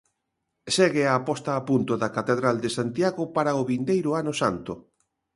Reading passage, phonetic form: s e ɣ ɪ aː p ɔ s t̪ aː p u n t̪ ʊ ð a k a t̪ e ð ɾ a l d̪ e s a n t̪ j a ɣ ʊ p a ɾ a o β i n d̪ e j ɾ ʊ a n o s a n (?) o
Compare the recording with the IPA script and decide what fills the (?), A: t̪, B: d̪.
A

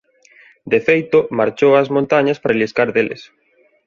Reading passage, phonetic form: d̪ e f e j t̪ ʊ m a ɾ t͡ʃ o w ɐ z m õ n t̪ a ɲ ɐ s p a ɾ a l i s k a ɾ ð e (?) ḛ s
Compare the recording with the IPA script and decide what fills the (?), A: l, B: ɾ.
A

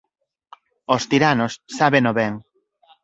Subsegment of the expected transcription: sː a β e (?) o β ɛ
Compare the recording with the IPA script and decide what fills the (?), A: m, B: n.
B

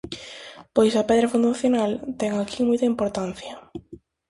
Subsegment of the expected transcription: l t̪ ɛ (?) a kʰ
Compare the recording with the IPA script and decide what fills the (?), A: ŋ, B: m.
A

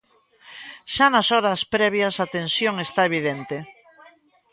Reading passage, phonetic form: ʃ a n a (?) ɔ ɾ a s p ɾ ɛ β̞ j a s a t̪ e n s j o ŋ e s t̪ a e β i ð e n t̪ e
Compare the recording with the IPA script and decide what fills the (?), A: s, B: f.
A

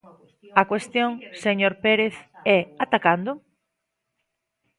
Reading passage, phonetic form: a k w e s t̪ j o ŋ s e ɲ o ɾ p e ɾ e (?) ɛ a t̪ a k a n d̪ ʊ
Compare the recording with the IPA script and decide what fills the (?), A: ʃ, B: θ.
B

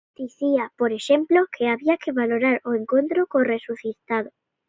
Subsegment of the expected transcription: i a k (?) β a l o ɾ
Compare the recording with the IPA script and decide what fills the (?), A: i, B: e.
B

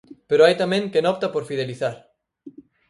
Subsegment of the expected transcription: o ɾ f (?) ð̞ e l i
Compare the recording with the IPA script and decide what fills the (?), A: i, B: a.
A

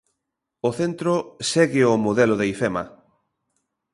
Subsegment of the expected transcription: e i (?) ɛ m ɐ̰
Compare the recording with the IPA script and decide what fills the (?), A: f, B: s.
A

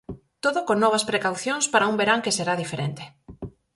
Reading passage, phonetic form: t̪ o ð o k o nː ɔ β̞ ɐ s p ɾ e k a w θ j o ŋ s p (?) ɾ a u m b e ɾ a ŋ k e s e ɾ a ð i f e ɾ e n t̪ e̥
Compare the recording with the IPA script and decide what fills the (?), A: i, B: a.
B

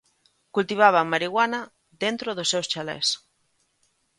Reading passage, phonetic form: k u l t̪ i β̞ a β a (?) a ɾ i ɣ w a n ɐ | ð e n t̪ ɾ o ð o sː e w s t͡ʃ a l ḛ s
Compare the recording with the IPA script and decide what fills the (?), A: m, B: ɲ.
A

